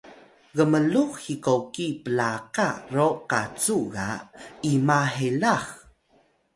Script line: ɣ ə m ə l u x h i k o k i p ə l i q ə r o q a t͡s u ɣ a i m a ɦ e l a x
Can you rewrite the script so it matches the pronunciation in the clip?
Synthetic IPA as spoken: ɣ ə m ə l u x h i k o k i p ə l a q a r o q a t͡s u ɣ a i m a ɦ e l a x